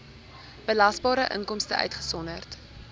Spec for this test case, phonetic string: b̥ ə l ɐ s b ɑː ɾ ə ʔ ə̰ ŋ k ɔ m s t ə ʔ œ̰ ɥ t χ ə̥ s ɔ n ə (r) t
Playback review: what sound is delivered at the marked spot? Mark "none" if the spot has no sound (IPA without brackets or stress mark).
r